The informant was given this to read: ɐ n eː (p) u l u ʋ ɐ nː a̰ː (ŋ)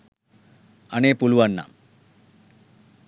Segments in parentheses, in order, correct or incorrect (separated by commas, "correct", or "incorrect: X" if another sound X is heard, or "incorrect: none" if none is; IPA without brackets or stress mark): correct, incorrect: m